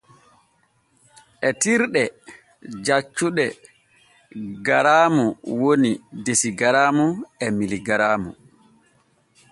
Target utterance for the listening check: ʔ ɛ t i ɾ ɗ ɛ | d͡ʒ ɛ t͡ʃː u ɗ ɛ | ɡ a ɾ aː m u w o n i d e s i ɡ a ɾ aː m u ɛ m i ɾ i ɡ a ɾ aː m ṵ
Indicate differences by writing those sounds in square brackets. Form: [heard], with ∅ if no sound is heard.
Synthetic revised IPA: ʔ ɛ t i ɾ ɗ ɛ | d͡ʒ [a] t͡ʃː u ɗ ɛ | ɡ a ɾ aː m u w o n i d e s i ɡ a ɾ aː m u ɛ m i [l] i ɡ a ɾ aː m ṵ